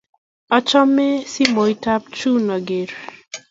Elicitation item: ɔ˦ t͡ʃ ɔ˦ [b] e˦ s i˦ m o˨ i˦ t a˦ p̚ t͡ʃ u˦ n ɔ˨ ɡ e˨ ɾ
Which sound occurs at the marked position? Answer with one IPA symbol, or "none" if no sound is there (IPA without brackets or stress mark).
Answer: m